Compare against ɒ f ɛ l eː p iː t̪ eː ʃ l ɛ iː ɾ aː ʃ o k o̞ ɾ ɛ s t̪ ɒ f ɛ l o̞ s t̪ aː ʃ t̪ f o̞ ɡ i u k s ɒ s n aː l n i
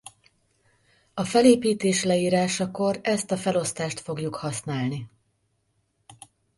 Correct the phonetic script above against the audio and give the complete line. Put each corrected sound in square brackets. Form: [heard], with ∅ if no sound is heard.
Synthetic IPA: ɒ f ɛ l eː p iː t̪ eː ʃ l ɛ iː ɾ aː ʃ [ɒ] k o̞ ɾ ɛ s t̪ ɒ f ɛ l o̞ s t̪ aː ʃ t̪ f o̞ ɡ [j] u k [h] ɒ s n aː l n i